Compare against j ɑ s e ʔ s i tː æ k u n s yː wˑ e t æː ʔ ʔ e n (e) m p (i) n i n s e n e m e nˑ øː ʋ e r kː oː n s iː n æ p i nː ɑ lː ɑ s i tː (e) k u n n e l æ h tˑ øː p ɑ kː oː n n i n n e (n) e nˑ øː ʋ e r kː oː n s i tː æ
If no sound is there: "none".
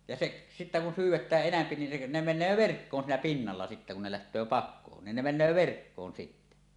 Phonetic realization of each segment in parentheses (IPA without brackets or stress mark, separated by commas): æ, i, æ, m